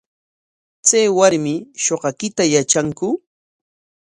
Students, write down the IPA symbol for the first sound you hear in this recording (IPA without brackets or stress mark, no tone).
t͡s